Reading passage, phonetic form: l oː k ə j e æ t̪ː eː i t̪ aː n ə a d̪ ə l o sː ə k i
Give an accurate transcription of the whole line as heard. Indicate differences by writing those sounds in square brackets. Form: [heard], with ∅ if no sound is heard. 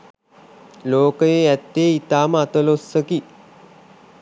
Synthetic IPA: l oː k ə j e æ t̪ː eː i t̪ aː [m] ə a [t̪] ə l o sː ə k i